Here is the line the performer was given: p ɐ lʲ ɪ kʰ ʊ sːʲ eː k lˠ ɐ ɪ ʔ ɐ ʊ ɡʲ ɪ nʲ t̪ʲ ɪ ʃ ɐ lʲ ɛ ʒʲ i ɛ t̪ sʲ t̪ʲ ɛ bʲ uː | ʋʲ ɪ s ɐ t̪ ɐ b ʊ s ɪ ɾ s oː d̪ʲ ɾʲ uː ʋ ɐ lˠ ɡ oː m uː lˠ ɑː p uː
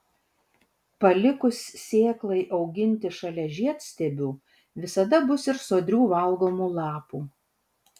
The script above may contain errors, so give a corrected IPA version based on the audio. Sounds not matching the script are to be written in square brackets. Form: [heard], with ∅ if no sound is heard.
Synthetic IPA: p ɐ lʲ ɪ [k] ʊ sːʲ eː k lˠ ɐ ɪ ʔ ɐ ʊ ɡʲ ɪ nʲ t̪ʲ ɪ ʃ ɐ lʲ ɛ ʒʲ i ɛ t̪ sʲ t̪ʲ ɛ bʲ uː | ʋʲ ɪ s ɐ [d̪] ɐ b ʊ s ɪ ɾ s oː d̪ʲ ɾʲ uː ʋ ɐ lˠ ɡ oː m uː lˠ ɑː p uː